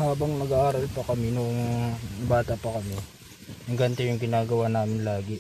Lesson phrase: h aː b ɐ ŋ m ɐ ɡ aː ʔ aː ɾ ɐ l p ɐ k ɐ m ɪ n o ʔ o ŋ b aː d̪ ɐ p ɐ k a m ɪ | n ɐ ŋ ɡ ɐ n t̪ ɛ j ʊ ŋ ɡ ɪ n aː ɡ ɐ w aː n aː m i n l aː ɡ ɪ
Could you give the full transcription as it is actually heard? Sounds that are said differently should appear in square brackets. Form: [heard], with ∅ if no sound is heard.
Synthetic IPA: h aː b ɐ ŋ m ɐ ɡ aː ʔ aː ɾ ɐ l p ɐ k ɐ m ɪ n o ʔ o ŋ b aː [t̪] ɐ p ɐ k [ɐ] m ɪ | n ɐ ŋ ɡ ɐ n t̪ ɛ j ʊ ŋ ɡ ɪ n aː ɡ ɐ w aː n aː m [ɪ] n l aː ɡ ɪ